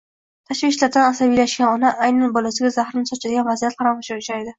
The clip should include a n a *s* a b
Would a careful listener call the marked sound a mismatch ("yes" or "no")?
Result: no